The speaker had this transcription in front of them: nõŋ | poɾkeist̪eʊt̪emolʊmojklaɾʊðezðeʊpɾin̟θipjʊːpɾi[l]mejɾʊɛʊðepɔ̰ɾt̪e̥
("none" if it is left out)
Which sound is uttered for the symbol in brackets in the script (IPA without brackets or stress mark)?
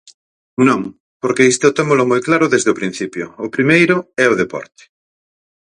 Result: none